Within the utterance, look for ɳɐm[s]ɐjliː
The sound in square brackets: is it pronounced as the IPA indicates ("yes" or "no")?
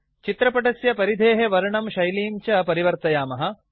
no